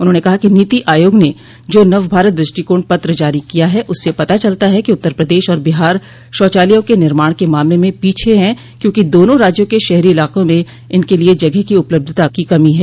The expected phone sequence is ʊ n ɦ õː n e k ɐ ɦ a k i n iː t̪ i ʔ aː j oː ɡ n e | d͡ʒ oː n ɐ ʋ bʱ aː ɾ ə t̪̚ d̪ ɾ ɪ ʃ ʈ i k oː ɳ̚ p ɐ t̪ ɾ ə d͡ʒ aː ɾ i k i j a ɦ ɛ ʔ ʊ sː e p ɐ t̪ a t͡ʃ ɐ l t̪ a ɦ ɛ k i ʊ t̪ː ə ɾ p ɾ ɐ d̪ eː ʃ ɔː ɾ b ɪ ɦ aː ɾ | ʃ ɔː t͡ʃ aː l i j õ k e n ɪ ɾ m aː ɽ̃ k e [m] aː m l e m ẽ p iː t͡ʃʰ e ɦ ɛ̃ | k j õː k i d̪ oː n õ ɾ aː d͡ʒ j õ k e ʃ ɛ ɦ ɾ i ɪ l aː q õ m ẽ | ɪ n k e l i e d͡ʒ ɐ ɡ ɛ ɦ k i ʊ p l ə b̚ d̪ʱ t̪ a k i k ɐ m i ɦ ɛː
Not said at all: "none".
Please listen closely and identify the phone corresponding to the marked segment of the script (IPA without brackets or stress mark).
m